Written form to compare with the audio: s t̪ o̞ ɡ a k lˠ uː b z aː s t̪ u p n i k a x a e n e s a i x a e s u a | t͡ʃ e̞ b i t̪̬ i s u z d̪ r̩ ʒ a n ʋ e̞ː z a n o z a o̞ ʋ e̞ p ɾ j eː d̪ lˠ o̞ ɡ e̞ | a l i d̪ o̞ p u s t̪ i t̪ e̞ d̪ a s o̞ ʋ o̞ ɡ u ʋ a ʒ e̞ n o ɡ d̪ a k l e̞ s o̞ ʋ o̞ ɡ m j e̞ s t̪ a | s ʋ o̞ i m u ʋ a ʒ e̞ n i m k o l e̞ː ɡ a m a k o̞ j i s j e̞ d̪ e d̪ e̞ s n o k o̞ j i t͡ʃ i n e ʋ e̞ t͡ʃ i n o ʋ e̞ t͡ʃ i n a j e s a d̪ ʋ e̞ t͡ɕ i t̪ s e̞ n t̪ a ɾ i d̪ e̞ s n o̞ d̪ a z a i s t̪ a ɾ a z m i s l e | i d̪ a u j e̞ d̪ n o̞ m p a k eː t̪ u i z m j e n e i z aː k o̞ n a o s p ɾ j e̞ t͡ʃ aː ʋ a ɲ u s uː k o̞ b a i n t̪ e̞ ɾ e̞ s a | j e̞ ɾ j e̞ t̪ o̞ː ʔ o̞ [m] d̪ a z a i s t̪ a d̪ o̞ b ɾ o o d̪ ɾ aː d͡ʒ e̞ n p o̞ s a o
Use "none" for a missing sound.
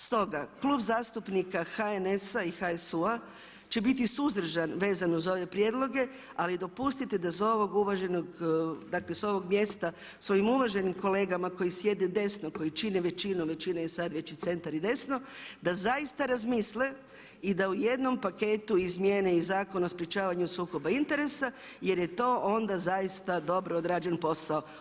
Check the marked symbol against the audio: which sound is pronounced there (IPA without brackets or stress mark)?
n